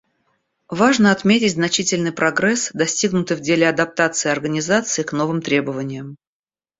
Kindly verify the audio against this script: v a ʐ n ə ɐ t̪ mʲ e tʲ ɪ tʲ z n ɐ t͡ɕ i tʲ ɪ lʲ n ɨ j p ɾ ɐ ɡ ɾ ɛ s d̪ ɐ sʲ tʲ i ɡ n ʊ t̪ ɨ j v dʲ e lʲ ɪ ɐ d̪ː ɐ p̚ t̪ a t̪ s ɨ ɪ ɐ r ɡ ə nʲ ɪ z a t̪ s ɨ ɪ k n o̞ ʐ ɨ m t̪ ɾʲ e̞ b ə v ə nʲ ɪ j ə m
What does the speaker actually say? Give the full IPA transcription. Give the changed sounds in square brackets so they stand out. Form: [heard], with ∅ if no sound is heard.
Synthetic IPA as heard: v a ʐ n ə ɐ t̪ mʲ e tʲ ɪ tʲ z n ɐ t͡ɕ i tʲ ɪ lʲ n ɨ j p ɾ ɐ ɡ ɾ ɛ s d̪ ɐ sʲ tʲ i ɡ n ʊ t̪ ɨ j v dʲ e lʲ ɪ ɐ [d̪] ɐ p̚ t̪ a t̪ s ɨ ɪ ɐ r ɡ ə nʲ ɪ z a t̪ s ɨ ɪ k n o̞ [v] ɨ m t̪ ɾʲ e̞ b ə v ə nʲ ɪ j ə m